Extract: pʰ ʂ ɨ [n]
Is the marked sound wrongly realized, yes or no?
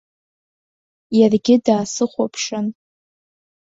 no